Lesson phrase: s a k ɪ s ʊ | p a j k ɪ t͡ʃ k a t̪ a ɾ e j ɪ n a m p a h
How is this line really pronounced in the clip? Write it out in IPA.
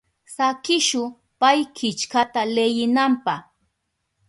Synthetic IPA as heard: s a k ɪ ʃ ʊ | p a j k ɪ t͡ʃ k a t̪ a l e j ɪ n a m p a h